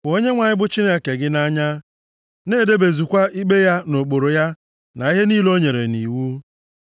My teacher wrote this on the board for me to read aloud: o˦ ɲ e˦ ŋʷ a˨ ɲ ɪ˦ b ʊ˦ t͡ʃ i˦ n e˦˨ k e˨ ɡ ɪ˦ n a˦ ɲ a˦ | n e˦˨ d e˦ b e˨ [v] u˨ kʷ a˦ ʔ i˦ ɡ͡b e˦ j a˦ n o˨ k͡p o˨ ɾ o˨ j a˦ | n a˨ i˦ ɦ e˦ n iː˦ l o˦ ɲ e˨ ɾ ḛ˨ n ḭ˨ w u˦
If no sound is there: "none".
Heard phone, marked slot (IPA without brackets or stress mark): z